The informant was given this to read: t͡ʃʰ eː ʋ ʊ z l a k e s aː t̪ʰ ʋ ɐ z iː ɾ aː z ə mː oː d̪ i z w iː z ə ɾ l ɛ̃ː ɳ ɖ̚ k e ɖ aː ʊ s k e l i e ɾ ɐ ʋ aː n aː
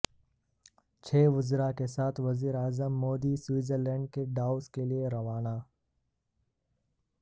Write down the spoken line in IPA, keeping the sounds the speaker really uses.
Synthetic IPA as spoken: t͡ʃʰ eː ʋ ʊ z ɾ a k e s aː t̪ʰ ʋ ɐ z iː ɾ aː z ə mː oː d̪ i s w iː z ə ɾ l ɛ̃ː ɳ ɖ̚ k e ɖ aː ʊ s k e l i e ɾ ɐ ʋ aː n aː

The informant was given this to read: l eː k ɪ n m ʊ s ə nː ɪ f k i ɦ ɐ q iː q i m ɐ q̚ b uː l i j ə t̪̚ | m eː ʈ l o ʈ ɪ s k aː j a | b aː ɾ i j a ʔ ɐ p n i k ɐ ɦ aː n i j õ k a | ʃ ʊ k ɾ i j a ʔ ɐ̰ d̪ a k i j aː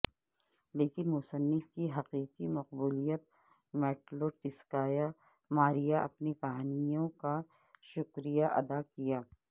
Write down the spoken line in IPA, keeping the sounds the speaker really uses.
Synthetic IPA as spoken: l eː k ɪ n m ʊ s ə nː ɪ f k i ɦ ɐ q iː q i m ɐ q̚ b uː l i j ə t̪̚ | m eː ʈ l o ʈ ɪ s k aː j a | m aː ɾ i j a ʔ ɐ p n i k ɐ ɦ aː n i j õ k a | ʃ ʊ k ɾ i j a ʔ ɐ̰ d̪ a k i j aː

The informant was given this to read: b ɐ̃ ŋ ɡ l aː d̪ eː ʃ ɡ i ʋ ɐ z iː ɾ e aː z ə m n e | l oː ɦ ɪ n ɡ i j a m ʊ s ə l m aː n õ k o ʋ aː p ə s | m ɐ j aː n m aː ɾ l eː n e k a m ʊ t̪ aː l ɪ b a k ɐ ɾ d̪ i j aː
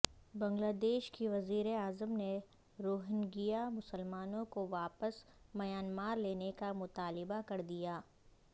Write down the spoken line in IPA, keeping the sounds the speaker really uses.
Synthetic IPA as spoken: b ɐ̃ ŋ ɡ l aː d̪ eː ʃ k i ʋ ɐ z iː ɾ e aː z ə m n e | ɾ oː ɦ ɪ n ɡ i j a m ʊ s ə l m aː n õ k o ʋ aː p ə s | m ɐ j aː n m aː ɾ l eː n e k a m ʊ t̪ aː l ɪ b a k ɐ ɾ d̪ i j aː

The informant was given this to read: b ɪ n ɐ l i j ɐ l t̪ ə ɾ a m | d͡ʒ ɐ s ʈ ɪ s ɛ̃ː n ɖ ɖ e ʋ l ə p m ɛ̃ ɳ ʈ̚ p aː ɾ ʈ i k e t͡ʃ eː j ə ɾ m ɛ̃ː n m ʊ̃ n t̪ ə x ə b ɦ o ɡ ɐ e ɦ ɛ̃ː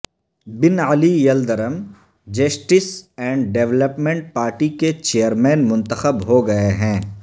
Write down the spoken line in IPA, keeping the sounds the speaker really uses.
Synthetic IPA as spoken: b ɪ n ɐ l i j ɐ l d̪ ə ɾ ə m | d͡ʒ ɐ s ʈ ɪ s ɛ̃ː ɳ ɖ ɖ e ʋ l ə p m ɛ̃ ɳ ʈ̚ p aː ɾ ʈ i k e t͡ʃ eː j ə ɾ m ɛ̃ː n m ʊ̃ n t̪ ə x ə b ɦ o ɡ ɐ e ɦ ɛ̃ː

